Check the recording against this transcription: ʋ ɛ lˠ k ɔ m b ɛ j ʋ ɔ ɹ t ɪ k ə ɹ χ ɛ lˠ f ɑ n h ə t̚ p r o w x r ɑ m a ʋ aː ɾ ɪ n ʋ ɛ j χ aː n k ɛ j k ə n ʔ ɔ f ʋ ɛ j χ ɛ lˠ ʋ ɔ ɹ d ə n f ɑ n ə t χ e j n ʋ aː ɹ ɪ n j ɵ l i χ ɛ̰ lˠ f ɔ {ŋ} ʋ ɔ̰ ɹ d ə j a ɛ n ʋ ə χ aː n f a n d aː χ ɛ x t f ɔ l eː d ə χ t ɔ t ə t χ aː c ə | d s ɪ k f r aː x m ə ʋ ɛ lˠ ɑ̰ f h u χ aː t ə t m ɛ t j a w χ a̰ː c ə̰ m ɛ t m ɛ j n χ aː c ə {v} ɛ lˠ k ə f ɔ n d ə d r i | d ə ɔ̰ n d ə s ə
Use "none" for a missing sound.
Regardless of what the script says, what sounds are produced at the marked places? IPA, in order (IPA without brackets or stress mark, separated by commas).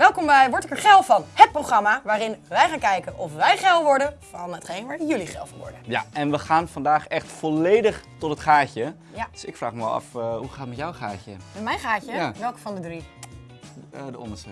n, ʋ